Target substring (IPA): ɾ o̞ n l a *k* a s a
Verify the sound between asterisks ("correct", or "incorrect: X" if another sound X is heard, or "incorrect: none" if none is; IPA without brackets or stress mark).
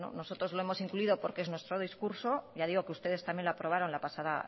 incorrect: p